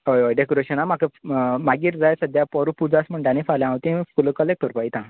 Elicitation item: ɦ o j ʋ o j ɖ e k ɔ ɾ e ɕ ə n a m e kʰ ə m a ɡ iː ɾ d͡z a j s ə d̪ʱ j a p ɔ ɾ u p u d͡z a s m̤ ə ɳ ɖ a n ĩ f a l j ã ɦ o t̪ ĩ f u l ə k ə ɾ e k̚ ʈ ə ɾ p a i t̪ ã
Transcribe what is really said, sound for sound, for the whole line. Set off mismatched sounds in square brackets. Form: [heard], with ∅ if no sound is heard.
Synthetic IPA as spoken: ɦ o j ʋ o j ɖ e k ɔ ɾ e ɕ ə n a m [a] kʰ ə m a ɡ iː ɾ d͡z a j s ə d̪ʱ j a p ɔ ɾ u p u d͡z a s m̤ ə ɳ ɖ a n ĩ f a l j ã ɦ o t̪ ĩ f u l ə k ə [l] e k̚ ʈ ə ɾ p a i t̪ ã